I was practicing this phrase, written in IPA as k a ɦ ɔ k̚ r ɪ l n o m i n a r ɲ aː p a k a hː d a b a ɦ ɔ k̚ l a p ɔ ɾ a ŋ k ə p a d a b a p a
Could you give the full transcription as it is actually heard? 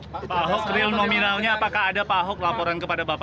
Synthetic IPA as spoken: p a ɦ ɔ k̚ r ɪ l n o m i n a l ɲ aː p a k a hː d a p a ɦ ɔ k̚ l a p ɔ ɾ a n k ə p a d a b a p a